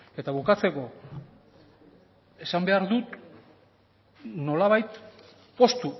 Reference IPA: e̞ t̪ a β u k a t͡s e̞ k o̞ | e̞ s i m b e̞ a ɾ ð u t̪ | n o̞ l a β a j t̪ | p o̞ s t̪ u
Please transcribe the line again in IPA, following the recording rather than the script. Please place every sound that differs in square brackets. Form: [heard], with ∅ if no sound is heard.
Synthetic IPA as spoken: e̞ t̪ a β u k a t͡s e̞ k o̞ | e̞ s [a] m b e̞ a ɾ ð u t̪ | n o̞ l a β a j t̪ | p o̞ s t̪ u